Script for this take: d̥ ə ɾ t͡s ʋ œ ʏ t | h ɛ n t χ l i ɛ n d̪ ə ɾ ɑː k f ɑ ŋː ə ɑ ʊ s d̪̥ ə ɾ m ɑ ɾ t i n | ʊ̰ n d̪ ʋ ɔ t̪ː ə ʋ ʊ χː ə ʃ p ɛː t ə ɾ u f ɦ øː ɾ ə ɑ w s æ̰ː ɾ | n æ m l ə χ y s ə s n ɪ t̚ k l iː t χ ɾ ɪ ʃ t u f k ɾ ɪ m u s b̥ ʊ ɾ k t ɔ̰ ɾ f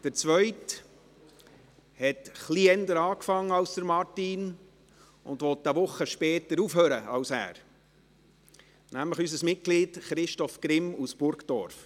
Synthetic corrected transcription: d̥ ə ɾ t͡s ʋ œ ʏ t | h ɛ t χ l i ɛ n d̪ ə ɾ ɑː k f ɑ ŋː ə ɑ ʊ s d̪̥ ə ɾ m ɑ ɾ t i n | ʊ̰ n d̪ ʋ ɔ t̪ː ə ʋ ʊ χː ə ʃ p ɛː t ə ɾ u f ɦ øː ɾ ə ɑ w s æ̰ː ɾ | n æ m l ə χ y s ə s m ɪ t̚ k l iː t χ ɾ ɪ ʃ t ɔ f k ɾ ɪ m u s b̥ ʊ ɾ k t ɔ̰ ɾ f

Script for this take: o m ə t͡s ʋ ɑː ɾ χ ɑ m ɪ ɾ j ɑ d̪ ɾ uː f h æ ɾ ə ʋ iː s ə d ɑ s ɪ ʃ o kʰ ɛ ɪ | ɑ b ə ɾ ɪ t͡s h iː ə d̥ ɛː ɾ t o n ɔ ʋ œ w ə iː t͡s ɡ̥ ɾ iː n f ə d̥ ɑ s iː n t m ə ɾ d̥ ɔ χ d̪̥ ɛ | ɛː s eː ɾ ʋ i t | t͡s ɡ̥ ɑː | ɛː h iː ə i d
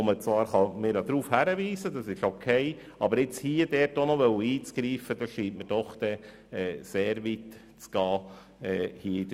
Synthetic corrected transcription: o m ə t͡s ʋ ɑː ɾ χ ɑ m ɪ ɾ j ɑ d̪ ɾ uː f h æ ɾ ə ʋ iː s ə d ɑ s ɪ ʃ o kʰ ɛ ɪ | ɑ b ə ɾ ɪ t͡s h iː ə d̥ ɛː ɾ t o n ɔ ʋ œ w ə iː t͡s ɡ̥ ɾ iː f ə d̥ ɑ ʃ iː n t m ə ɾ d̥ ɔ χ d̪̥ ɛ | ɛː s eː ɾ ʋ i t | t͡s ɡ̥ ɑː | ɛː h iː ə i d

